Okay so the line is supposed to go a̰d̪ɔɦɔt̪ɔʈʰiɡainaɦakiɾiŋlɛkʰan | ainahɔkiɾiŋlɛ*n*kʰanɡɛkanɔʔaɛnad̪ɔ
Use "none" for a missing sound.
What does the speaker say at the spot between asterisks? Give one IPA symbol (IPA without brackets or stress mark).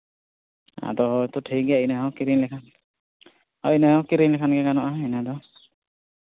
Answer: none